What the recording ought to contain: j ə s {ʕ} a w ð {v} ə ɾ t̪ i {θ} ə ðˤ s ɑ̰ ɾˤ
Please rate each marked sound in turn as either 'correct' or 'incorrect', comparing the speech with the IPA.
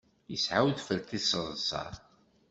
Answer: correct, incorrect, incorrect

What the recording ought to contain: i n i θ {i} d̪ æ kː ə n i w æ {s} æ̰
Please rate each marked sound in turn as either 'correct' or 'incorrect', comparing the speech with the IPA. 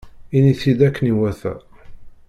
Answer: correct, incorrect

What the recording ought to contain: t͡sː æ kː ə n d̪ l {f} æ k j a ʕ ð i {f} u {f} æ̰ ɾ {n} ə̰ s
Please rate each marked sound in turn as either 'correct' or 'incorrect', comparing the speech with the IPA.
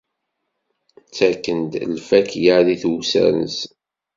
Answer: correct, incorrect, incorrect, correct

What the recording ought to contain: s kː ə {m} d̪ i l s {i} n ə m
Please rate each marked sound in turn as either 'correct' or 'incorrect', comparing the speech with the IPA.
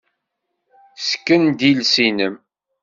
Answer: incorrect, correct

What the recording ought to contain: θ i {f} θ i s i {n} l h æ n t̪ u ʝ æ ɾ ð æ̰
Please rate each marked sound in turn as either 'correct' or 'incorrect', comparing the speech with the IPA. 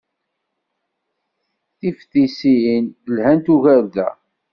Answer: correct, correct

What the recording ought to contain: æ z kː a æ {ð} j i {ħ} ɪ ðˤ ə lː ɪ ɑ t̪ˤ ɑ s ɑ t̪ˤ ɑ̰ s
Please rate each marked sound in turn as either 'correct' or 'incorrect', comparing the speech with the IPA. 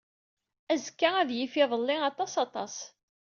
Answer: correct, incorrect

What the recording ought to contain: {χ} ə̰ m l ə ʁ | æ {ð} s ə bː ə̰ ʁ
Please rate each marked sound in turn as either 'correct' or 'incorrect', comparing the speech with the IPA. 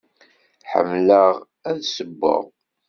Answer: incorrect, correct

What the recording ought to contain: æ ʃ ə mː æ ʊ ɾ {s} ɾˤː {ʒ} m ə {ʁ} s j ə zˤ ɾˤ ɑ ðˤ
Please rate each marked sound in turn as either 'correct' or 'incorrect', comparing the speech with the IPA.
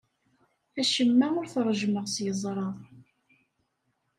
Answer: incorrect, correct, correct

